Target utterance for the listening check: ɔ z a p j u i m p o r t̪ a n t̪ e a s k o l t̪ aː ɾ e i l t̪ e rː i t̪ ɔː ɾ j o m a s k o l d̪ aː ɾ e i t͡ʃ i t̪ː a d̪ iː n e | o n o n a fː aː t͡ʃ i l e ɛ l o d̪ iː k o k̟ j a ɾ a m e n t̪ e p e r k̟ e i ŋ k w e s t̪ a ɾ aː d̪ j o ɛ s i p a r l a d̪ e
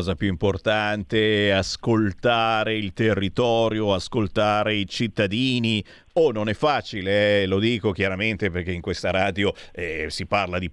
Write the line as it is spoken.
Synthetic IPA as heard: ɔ z a p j u i m p o r t̪ a n t̪ e a s k o l t̪ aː ɾ e i l t̪ e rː i t̪ ɔː ɾ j o a s k o l t̪ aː ɾ e i t͡ʃ i t̪ː a d̪ iː n i | o n o n ɛ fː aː t͡ʃ i l e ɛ l o d̪ iː k o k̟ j a ɾ a m e n t̪ e p e r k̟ e i ŋ k w e s t̪ a ɾ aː d̪ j o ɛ s i p a r l a d̪ i